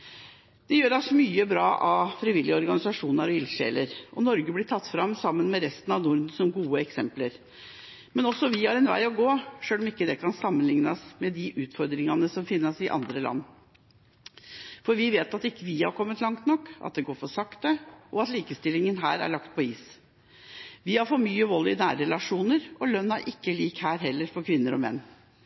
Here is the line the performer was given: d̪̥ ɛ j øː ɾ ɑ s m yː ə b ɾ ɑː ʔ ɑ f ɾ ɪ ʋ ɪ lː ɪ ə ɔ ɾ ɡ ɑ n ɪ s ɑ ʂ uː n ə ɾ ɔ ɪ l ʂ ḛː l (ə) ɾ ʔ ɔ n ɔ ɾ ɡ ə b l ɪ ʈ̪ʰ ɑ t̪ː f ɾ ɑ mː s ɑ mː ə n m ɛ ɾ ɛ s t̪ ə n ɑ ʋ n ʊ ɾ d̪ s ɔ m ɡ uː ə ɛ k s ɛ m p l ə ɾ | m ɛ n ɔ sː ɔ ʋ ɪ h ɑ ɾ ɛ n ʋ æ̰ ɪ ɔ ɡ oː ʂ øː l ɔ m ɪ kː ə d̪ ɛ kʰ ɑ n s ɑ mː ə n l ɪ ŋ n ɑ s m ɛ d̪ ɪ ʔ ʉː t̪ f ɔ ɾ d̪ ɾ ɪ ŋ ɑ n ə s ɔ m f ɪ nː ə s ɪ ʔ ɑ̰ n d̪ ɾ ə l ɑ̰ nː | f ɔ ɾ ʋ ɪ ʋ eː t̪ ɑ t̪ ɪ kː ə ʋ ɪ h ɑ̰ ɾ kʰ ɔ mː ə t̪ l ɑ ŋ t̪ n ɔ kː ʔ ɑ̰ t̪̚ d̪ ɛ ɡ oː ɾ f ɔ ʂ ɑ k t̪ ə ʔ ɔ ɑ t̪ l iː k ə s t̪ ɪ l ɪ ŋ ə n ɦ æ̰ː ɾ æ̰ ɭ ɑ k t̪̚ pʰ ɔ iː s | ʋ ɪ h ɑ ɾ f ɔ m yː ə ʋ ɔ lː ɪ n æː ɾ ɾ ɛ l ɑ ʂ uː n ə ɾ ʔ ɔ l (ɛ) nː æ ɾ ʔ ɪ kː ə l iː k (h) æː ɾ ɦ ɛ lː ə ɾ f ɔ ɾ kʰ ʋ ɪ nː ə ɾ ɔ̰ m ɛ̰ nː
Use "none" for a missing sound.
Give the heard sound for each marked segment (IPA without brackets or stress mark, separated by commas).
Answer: ə, œ, h